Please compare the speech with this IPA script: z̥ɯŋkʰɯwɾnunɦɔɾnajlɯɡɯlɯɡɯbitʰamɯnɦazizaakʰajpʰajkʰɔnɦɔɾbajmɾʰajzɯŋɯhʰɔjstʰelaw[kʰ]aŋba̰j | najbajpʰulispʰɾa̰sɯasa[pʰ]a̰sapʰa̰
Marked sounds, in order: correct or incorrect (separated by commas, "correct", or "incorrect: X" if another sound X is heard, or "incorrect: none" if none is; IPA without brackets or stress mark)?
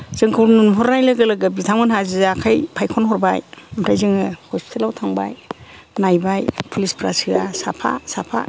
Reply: incorrect: tʰ, correct